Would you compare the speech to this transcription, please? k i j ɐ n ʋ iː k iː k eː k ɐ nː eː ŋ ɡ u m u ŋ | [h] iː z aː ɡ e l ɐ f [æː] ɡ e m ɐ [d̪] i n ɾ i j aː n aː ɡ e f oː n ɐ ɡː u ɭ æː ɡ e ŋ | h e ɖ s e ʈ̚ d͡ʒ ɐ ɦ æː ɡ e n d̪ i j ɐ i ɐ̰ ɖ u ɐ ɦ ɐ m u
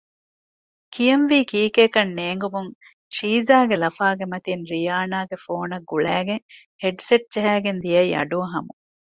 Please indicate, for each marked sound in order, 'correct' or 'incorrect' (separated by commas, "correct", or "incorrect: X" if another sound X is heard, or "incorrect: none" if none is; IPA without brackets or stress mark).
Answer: incorrect: ʃ, incorrect: aː, incorrect: t̪